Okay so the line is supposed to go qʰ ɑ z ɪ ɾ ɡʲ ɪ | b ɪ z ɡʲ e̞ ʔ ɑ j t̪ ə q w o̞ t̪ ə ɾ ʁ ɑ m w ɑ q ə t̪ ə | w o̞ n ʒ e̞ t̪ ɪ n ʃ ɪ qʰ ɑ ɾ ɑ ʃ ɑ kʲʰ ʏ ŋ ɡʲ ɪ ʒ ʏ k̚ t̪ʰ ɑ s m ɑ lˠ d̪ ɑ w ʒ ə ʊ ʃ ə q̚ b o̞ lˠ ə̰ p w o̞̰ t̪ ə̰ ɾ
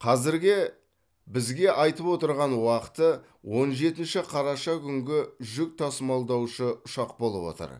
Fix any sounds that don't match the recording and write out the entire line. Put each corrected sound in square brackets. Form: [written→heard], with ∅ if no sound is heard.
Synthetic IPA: qʰ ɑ z ɪ ɾ ɡʲ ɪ | b ɪ z ɡʲ e̞ ʔ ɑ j t̪ ə [q→p] w o̞ t̪ ə ɾ ʁ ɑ [m→n] w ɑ q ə t̪ ə | w o̞ n ʒ e̞ t̪ ɪ n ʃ ɪ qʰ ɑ ɾ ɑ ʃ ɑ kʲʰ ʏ ŋ ɡʲ ɪ ʒ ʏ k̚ t̪ʰ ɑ s m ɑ lˠ d̪ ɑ w [ʒ→ʃ] ə ʊ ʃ [ə→ɑ] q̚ b o̞ lˠ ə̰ p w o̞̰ t̪ ə̰ ɾ